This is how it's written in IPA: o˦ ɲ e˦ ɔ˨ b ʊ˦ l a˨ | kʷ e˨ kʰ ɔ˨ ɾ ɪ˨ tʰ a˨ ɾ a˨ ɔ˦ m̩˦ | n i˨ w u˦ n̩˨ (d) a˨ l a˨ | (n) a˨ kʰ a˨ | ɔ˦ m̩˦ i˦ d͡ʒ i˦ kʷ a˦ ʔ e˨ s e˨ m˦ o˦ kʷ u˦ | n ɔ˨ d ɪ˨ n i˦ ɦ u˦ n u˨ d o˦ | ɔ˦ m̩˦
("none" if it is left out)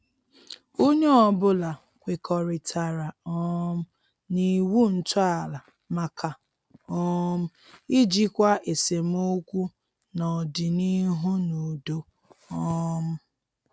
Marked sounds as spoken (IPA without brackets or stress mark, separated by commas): t, m